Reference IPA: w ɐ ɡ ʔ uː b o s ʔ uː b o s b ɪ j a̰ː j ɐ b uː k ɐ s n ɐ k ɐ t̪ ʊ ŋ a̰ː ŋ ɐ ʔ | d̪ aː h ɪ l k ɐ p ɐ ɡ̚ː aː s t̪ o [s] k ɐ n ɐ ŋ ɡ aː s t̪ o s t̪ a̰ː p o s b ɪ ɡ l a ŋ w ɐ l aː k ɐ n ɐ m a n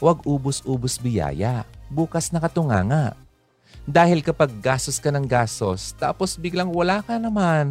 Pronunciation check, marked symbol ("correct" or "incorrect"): correct